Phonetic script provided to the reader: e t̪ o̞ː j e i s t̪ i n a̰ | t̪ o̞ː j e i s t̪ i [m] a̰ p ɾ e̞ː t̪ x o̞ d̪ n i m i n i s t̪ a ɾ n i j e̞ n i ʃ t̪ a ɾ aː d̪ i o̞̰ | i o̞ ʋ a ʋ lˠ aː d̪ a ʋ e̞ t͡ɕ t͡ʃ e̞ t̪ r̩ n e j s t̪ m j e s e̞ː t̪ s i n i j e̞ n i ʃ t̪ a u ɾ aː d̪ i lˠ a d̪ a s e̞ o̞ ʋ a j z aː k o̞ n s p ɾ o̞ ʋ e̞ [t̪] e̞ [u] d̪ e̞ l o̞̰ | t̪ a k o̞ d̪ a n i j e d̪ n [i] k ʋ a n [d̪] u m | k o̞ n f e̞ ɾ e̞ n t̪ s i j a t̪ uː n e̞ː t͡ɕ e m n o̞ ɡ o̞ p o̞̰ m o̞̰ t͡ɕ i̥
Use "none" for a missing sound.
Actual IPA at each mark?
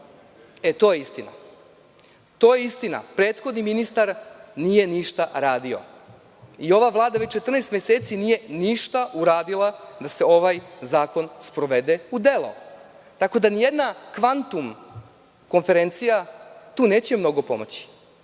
n, d̪, u, a, t̪

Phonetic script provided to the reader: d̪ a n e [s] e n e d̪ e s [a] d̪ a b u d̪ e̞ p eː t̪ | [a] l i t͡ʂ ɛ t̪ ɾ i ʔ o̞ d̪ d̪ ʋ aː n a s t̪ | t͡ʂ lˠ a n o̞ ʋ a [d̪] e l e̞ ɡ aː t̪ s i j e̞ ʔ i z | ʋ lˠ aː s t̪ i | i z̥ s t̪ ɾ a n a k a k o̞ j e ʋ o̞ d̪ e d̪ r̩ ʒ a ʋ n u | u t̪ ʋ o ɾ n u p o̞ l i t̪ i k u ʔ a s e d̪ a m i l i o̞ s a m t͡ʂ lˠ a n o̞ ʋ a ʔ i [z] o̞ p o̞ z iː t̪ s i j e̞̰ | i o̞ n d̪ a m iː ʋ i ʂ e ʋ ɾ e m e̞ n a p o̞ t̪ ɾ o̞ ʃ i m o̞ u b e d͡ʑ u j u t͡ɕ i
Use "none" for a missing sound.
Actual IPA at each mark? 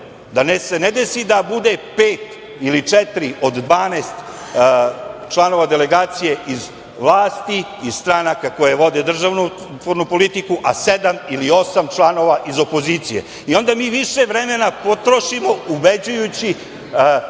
s, i, i, d̪, z

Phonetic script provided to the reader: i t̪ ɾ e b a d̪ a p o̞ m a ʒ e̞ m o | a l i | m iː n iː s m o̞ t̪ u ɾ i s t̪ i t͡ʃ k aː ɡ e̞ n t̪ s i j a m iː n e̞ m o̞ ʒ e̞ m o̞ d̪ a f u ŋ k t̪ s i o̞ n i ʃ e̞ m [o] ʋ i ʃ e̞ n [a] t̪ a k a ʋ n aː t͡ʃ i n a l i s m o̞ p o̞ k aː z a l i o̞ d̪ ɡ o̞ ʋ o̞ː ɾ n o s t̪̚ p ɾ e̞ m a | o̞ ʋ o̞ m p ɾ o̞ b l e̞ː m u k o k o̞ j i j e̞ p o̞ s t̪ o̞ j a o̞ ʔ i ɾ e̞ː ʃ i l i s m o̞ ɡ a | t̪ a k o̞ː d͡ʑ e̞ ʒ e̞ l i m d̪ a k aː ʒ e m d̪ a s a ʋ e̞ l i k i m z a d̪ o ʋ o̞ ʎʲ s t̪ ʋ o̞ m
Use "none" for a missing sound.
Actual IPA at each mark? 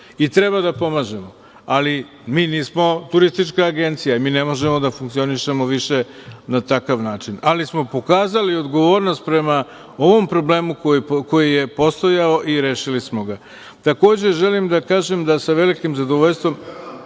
o, a

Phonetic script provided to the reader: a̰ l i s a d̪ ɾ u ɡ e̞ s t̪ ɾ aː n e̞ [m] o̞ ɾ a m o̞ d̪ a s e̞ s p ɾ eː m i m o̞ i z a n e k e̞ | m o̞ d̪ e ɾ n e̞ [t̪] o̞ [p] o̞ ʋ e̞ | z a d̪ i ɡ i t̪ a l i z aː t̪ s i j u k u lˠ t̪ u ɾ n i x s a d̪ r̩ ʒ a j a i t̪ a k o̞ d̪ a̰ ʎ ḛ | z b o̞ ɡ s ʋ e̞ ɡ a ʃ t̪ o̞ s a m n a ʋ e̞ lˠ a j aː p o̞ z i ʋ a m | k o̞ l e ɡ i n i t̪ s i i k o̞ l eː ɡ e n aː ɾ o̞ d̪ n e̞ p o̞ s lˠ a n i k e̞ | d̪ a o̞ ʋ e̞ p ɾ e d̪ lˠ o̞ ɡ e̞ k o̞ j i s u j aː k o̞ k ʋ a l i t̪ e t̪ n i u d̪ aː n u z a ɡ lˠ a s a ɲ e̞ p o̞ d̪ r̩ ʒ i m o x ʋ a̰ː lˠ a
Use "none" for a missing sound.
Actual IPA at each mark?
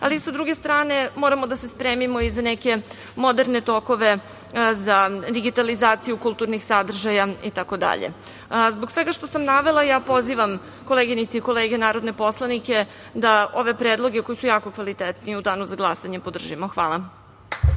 m, t̪, k

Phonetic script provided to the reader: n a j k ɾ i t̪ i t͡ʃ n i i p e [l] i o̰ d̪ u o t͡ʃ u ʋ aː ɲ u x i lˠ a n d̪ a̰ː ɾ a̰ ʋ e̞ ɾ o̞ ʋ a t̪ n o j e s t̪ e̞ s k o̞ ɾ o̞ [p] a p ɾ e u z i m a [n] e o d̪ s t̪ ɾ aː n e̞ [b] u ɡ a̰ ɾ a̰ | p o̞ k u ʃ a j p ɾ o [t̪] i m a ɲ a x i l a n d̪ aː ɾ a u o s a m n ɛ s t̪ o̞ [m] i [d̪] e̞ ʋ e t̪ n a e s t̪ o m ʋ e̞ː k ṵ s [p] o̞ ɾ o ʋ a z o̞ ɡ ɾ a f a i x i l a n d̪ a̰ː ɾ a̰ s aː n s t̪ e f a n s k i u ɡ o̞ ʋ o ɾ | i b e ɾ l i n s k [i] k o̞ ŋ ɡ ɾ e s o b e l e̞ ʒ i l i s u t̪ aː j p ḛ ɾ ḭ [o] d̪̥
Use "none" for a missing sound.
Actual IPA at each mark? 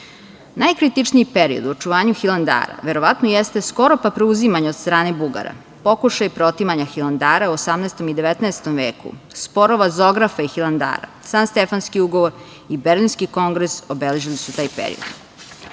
ɾ, p, ɲ, b, t̪, m, d̪, p, i, o

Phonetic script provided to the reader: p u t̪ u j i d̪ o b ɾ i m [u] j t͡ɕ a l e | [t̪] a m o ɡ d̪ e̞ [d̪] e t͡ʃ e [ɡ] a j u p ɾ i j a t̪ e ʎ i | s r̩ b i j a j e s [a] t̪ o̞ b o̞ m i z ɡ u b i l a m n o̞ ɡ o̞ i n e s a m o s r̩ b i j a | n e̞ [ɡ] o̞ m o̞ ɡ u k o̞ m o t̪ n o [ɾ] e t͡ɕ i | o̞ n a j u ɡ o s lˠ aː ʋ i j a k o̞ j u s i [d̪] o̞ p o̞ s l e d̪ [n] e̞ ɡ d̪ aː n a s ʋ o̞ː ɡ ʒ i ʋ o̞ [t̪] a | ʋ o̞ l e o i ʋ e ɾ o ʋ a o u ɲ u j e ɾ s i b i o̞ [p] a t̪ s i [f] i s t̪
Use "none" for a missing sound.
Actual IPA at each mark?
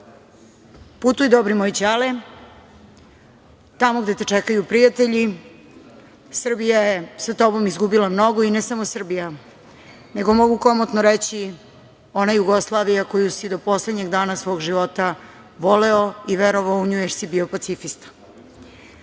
o, t̪, t̪, k, a, ɡ, ɾ, d̪, ɲ, t̪, p, f

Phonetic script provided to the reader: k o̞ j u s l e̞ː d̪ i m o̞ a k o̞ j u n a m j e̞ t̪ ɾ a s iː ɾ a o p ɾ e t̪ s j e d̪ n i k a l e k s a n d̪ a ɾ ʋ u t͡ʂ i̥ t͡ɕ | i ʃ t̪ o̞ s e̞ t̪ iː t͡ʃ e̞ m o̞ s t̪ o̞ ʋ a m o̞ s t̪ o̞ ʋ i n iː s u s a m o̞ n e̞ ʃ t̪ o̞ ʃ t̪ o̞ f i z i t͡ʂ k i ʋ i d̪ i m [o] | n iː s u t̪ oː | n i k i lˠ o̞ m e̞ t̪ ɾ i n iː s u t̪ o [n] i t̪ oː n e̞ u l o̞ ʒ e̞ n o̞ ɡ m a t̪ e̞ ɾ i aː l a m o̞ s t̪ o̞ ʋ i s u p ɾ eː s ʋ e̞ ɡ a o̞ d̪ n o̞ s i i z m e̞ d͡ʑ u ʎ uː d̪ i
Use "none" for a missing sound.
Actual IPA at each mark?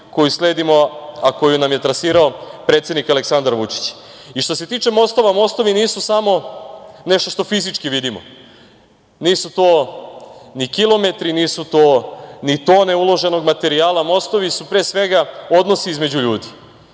o, n

